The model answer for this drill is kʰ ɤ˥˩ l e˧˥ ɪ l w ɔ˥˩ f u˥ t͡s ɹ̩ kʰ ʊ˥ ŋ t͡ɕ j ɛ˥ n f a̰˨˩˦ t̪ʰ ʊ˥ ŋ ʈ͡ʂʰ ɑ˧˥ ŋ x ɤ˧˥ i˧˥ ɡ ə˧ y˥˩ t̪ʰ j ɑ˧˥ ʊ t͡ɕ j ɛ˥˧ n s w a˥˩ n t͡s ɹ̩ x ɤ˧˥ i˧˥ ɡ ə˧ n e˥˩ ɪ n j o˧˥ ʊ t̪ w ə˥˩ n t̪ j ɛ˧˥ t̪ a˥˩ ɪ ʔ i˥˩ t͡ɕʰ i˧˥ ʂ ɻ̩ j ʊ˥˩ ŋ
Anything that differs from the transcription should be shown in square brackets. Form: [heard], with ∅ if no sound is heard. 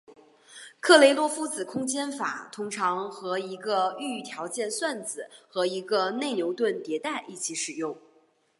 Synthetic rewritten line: kʰ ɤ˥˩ l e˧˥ ɪ l w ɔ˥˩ f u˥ t͡s ɹ̩ kʰ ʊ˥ ŋ t͡ɕ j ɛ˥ n f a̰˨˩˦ t̪ʰ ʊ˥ ŋ ʈ͡ʂʰ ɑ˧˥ ŋ x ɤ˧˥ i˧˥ ɡ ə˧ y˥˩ t̪ʰ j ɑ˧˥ ʊ t͡ɕ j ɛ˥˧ n s w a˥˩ n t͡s ɹ̩ x ɤ˧˥ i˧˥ ɡ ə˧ n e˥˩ ɪ n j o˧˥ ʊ t̪ w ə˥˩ n t̪ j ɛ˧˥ t̪ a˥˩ ɪ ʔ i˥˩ t͡ɕʰ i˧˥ ʂ ɻ̩ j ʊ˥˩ ŋ